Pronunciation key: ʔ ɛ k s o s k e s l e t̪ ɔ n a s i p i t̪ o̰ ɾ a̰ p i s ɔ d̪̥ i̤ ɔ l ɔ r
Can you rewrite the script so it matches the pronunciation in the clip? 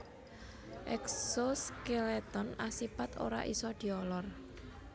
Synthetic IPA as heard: ʔ ɛ k s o s k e l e t̪ ɔ n a s i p a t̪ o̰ ɾ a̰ ʔ i s ɔ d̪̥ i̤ ɔ l ɔ r

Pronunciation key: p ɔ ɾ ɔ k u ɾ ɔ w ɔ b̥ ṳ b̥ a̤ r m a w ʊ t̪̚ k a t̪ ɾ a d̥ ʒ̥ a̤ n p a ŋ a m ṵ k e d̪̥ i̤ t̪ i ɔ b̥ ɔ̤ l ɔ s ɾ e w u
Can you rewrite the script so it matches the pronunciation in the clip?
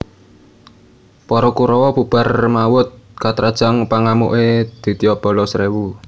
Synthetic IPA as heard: p ɔ ɾ ɔ k u ɾ ɔ w ɔ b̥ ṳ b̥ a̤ r m a w ʊ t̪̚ k a t̪ ɾ a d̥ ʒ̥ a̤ ŋ p a ŋ a m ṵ ʔ e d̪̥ i̤ t̪ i ɔ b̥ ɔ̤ l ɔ s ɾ e w u

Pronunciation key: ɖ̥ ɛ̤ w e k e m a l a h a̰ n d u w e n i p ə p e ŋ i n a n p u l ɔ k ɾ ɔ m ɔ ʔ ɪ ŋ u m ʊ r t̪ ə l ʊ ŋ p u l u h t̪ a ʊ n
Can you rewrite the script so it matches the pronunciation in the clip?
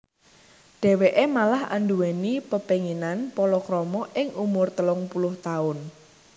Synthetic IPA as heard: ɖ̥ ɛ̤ w e ʔ e m a l a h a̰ n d u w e n i p ə p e ŋ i n a n p ɔ l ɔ k ɾ ɔ m ɔ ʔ ɪ ŋ u m ʊ r t̪ ə l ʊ ŋ p u l ʊ h t̪ a ʊ n

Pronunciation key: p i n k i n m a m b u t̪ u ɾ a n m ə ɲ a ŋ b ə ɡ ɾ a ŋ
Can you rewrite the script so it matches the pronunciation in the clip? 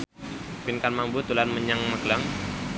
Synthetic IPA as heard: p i n k a n m a m b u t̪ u l a n m ə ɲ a ŋ m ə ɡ l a ŋ

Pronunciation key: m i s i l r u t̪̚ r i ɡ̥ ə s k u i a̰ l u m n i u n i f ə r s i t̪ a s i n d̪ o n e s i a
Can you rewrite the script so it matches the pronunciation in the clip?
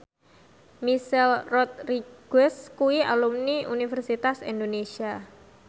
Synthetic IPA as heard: m i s ɛ l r ɔ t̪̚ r i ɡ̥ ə s k u i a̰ l u m n i u n i f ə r s i t̪ a s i n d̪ o n e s i a

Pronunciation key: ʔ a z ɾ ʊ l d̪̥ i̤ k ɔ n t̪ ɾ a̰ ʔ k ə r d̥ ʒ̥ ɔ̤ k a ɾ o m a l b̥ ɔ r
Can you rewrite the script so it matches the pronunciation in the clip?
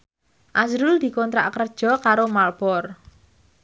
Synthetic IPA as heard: ʔ a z ɾ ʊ l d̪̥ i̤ k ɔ n t̪ ɾ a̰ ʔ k ə r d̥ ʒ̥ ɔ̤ k a ɾ o m a l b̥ ɔ r

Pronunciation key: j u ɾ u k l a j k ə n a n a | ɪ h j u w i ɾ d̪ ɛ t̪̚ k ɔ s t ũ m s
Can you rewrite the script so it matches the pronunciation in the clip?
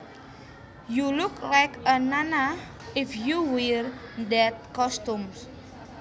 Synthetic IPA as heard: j u l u k l a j k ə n a n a | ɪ f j u w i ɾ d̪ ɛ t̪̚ k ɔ s t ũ m s

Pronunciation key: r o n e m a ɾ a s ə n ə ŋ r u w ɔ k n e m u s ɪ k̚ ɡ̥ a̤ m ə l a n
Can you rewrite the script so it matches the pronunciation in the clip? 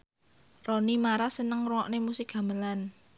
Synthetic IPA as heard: r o n i m a ɾ a s ə n ə ŋ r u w ɔ ʔ n e m u s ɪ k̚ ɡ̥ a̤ m ə l a n

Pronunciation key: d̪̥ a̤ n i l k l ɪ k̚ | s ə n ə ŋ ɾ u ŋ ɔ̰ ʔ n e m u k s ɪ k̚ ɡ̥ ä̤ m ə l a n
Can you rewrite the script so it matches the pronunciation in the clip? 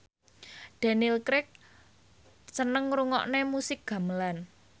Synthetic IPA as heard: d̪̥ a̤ n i l k ɾ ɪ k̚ | s ə n ə ŋ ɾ u ŋ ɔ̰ ʔ n e m u s ɪ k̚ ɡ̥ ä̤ m ə l a n

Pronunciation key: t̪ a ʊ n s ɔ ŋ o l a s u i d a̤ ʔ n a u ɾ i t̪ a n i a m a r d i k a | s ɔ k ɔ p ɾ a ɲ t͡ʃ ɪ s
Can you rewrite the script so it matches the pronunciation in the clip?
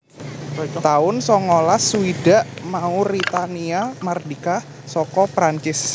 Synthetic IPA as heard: t̪ a ʊ n s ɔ ŋ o l a s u i d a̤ ʔ m a u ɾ i t̪ a n i a m a r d i k a | s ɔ k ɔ p ɾ a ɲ t͡ʃ ɪ s

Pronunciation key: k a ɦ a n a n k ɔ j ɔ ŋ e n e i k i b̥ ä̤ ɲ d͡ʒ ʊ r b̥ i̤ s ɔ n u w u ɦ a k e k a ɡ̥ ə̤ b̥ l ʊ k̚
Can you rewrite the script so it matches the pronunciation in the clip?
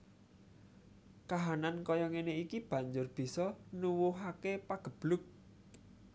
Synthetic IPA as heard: k a ɦ a n a n k ɔ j ɔ ŋ e n e i k i b̥ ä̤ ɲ d͡ʒ ʊ r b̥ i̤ s ɔ n u w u ɦ a k e p a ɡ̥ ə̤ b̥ l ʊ k̚

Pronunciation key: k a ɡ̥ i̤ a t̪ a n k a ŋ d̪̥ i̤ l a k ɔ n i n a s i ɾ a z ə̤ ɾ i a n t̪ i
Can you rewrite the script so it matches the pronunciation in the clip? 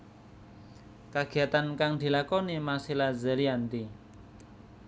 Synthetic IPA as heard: k a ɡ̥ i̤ a t̪ a n k a ŋ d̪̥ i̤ l a k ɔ n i m a s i l a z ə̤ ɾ i a n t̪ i

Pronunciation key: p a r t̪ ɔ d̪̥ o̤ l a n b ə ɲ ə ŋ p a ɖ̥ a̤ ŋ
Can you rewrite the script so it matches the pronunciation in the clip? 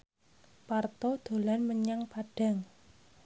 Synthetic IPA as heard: p a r t̪ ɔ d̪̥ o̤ l a n m ə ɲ a ŋ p a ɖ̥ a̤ ŋ

